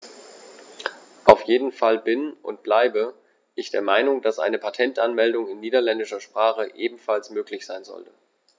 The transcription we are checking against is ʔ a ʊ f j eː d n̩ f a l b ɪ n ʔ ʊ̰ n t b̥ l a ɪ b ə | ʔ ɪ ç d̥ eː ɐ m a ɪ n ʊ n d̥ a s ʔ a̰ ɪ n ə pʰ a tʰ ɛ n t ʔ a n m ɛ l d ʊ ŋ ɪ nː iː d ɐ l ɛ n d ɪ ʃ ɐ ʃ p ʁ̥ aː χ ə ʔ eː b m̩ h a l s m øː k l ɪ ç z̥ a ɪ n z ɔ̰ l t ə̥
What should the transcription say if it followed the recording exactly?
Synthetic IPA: ʔ a ʊ f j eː d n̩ f a l b ɪ n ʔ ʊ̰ n t b̥ l a ɪ b ə | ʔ ɪ ç d̥ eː ɐ m a ɪ n ʊ ŋ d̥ a s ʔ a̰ ɪ n ə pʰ a tʰ ɛ n t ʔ a n m ɛ l d ʊ ŋ ɪ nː iː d ɐ l ɛ n d ɪ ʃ ɐ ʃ p ʁ̥ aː χ ə ʔ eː b m̩ f a l s m øː k l ɪ ç z̥ a ɪ n z ɔ̰ l t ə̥